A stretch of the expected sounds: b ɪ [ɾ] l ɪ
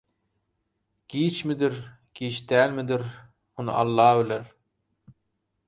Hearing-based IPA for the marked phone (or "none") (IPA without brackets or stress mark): none